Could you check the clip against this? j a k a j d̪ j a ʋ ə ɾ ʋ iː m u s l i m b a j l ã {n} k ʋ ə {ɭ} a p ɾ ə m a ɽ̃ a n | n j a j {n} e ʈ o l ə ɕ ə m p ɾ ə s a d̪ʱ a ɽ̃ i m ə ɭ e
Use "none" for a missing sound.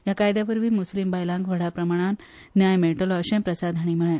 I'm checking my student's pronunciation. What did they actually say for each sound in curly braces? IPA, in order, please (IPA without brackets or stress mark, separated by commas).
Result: ŋ, ɽ, m